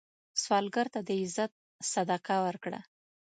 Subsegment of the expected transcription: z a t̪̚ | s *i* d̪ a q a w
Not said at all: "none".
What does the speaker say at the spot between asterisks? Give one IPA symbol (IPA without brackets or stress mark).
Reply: a